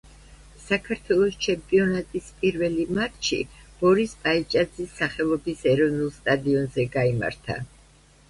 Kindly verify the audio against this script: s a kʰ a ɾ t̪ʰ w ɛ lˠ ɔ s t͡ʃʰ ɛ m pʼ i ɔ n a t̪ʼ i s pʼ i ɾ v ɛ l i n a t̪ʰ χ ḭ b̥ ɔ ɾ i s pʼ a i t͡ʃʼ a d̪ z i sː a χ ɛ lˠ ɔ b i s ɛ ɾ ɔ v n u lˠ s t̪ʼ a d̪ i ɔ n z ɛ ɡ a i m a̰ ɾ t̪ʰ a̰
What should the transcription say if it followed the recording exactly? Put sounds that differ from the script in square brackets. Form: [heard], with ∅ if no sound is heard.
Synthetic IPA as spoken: s a kʰ a ɾ t̪ʰ w ɛ lˠ ɔ s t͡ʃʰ ɛ m pʼ i ɔ n a t̪ʼ i s pʼ i ɾ v ɛ l i [m] a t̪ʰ [ʃ] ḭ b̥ ɔ ɾ i s pʼ a i t͡ʃʼ a d̪ z i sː a χ ɛ lˠ ɔ b i s ɛ ɾ ɔ v n u lˠ s t̪ʼ a d̪ i ɔ n z ɛ ɡ a i m a̰ ɾ t̪ʰ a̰